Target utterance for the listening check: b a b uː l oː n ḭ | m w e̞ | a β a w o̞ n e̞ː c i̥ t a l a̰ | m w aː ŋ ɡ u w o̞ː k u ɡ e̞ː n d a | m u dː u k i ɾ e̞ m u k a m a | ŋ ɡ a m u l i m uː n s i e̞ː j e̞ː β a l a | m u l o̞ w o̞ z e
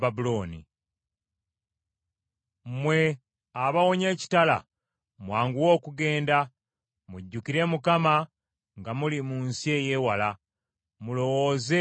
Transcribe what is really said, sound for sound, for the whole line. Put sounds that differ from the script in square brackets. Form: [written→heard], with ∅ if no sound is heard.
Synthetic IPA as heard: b a b [uː→u] l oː n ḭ | m w e̞ | a β a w o̞ [n→ɲ] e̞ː c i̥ t a l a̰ | m w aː ŋ ɡ u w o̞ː k u ɡ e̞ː n d a | m u [dː→ɟː] u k i ɾ e̞ m u k a m a | ŋ ɡ a m u l i m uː n s i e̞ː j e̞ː [β→w] a l a | m u l o̞ w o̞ z e